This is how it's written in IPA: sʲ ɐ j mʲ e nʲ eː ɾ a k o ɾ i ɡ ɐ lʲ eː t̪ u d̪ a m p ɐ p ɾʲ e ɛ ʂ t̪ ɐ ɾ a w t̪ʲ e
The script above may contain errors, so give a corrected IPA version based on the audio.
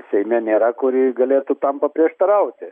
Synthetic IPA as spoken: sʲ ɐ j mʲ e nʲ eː ɾ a k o ɾ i ɡ ɐ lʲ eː t̪ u t̪ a m p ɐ p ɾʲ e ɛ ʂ t̪ ɐ ɾ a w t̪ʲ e

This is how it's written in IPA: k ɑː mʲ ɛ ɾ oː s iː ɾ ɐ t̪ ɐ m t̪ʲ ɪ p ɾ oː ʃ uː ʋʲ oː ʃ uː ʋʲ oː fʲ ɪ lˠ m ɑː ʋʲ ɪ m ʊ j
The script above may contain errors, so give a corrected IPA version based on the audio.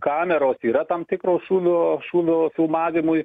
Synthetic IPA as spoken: k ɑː mʲ ɛ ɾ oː s iː ɾ ɐ t̪ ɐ m t̪ʲ ɪ k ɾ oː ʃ uː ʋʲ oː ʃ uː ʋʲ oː fʲ ɪ lˠ m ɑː ʋʲ ɪ m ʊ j

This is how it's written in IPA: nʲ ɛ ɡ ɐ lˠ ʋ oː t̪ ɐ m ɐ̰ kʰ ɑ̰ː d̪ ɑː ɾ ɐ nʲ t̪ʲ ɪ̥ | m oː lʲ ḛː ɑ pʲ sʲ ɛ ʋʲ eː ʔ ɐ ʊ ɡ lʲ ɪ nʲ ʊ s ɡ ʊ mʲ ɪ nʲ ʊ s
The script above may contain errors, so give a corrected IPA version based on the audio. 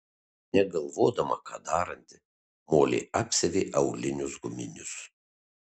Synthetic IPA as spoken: nʲ ɛ ɡ ɐ lˠ ʋ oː d̪ ɐ m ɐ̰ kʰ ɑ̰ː d̪ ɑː ɾ ɐ nʲ t̪ʲ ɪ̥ | m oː lʲ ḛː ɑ pʲ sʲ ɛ ʋʲ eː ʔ ɐ ʊ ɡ lʲ ɪ nʲ ʊ s ɡ ʊ mʲ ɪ nʲ ʊ s

